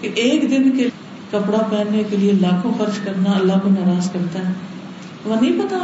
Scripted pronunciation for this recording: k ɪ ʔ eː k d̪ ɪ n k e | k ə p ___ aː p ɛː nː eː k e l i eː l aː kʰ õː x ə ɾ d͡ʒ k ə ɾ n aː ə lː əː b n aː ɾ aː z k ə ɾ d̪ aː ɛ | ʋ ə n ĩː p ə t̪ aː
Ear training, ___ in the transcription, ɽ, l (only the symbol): ɽ